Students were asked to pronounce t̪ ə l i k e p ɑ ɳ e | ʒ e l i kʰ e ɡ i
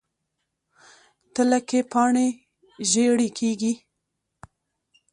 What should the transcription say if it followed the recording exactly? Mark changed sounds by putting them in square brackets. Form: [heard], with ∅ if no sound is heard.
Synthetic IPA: t̪ ə l [a] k e p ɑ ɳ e | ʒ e [ɽ] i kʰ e ɡ i